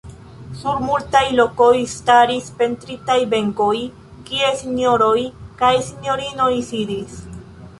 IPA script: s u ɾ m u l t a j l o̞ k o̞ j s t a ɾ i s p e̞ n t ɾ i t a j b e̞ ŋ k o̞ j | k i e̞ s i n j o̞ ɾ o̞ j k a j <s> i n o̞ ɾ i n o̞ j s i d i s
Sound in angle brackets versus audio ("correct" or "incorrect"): correct